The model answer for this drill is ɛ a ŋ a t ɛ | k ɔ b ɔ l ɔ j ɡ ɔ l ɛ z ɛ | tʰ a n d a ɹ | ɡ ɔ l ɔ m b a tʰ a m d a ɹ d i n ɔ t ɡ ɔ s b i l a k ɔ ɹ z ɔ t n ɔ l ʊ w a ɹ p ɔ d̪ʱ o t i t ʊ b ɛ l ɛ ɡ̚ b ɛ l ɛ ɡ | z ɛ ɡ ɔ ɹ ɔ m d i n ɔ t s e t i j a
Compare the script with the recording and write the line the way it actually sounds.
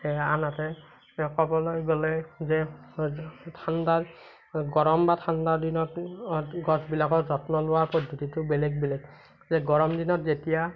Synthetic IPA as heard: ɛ a n a t ɛ | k ɔ b ɔ l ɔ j ɡ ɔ l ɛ z ɛ | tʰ a n d a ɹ | ɡ ɔ ɹ ɔ m b a tʰ a n d a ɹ d i n ɔ t ɡ ɔ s b i l a k ɔ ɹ z ɔ t n ɔ l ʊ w a ɹ p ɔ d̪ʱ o t i t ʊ b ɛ l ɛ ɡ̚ b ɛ l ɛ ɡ | z ɛ ɡ ɔ ɹ ɔ m d i n ɔ t z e t i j a